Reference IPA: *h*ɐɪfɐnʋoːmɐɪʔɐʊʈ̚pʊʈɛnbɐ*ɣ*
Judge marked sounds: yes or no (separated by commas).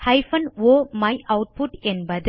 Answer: yes, no